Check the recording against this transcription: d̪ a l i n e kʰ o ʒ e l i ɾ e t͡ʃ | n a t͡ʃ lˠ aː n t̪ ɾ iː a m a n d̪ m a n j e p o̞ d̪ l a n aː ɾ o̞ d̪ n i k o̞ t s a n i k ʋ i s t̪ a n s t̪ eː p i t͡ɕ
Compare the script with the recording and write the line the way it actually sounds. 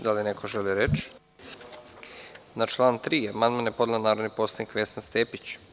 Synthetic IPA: d̪ a l i n e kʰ o ʒ e l i ɾ e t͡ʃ | n a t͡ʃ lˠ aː n t̪ ɾ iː a m a n d̪ m a n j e p o̞ d̪ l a n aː ɾ o̞ d̪ n i p o̞ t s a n i k ʋ e s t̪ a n s t̪ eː p i t͡ɕ